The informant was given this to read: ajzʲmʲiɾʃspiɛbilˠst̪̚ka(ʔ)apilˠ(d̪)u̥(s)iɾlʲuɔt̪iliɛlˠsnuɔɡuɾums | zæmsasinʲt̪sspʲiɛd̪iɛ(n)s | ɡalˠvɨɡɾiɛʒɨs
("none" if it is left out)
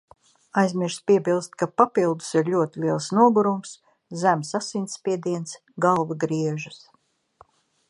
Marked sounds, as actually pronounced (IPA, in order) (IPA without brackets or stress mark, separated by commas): p, d̪, s, n